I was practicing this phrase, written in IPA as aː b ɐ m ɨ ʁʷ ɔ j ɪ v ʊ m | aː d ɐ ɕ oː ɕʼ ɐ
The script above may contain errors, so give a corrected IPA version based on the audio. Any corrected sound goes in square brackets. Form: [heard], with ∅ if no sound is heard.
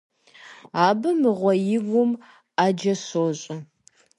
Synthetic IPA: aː b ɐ m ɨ ʁʷ ɔ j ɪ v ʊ m | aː [d͡ʒ] ɐ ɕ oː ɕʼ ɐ